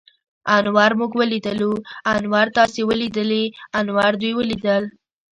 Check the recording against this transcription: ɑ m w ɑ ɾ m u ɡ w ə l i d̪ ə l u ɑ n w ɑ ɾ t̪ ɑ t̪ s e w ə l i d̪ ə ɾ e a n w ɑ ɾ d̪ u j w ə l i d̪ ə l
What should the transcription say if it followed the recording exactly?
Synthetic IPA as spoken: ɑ n w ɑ ɾ m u ɡ w ə l i d̪ ə l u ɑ n w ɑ ɾ t̪ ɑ s e w ə l i d̪ ə l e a n w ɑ ɾ d̪ u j w ə l i d̪ ə l